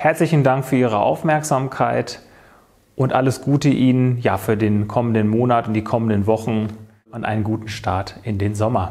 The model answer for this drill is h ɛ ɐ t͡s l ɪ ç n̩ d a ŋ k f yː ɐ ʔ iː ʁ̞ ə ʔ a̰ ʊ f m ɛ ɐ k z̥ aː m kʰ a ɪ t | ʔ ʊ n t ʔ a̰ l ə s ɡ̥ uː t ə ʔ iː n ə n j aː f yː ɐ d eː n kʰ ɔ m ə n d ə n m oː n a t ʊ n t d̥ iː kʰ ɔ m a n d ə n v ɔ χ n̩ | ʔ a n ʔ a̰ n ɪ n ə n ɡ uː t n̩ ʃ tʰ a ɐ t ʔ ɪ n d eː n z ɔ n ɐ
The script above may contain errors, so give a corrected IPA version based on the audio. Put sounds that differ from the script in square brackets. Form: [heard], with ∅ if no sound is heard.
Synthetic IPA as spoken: h ɛ ɐ t͡s l ɪ ç n̩ d a ŋ k f yː ɐ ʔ iː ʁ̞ ə ʔ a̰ ʊ f m ɛ ɐ k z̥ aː m kʰ a ɪ t | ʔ ʊ n t ʔ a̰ l ə s ɡ̥ uː t ə ʔ iː n ə n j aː f yː ɐ d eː n kʰ ɔ m ə n d ə n m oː n a t ʊ n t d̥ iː kʰ ɔ m [ə] n d ə n v ɔ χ n̩ | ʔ a n ʔ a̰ [∅] ɪ n ə n ɡ uː t n̩ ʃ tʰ a ɐ t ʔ ɪ n d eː n z ɔ [m] ɐ